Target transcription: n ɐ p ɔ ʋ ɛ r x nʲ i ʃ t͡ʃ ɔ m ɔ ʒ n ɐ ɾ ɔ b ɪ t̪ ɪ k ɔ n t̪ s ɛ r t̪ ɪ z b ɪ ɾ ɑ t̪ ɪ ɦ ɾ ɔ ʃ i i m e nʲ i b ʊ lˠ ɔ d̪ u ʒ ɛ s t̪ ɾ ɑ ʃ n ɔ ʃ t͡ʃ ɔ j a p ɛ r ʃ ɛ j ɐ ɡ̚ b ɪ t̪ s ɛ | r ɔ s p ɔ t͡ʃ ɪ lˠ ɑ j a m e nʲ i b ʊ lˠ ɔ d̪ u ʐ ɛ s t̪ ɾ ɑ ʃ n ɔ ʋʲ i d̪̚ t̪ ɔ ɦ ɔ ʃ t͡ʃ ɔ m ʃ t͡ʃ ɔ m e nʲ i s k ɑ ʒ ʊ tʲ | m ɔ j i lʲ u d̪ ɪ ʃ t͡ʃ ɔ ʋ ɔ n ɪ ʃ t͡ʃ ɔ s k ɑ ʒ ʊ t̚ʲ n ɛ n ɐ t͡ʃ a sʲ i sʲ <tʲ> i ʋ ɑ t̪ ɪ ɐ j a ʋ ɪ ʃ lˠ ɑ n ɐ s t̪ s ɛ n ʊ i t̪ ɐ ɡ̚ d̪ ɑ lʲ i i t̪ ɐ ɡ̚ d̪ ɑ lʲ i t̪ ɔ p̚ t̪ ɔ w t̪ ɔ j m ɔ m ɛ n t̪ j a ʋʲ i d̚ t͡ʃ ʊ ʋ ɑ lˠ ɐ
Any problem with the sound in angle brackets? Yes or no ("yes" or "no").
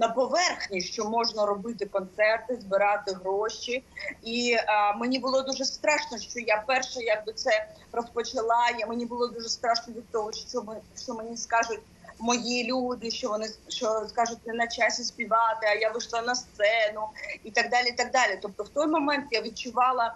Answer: yes